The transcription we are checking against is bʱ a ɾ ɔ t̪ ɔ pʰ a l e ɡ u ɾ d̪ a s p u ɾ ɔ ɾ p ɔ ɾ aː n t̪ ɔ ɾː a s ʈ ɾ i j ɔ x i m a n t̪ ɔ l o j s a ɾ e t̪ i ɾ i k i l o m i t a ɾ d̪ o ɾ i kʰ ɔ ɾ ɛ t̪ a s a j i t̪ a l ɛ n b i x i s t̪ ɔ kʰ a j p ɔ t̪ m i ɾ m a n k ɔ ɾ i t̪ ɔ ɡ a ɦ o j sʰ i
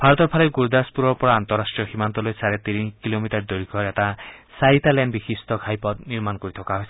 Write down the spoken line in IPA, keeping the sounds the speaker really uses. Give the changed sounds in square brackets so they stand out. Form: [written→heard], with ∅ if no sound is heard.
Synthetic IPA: bʱ a ɾ ɔ t̪ ɔ pʰ a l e ɡ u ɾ d̪ a s p u ɾ ɔ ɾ p ɔ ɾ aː n t̪ ɔ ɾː a s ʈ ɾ i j ɔ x i m a n t̪ ɔ l o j s a ɾ e t̪ i ɾ i k i l o m i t a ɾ d̪ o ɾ i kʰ ɔ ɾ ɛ t̪ a s a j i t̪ a l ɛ n b i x i s t̪ ɔ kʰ a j p ɔ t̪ [m→n] i ɾ m a n k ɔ ɾ i [t̪→t̪ʰ] ɔ [ɡ→k] a ɦ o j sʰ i